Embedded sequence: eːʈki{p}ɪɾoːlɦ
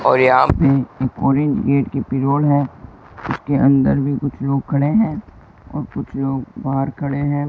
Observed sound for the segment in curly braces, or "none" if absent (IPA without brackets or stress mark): p